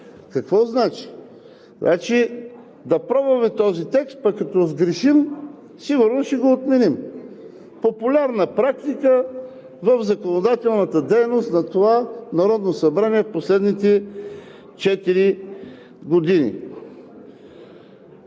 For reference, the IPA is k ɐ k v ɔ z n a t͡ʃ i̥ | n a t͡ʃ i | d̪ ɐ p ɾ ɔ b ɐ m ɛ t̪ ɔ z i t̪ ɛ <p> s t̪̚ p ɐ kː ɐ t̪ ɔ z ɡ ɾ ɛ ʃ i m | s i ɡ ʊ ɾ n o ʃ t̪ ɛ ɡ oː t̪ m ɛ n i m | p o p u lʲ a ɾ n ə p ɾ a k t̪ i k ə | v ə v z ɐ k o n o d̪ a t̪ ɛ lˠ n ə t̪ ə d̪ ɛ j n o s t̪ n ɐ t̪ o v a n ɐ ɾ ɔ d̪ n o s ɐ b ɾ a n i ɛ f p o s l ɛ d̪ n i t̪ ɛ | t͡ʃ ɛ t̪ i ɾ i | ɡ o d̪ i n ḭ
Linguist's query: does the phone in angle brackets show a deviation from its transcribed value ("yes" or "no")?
yes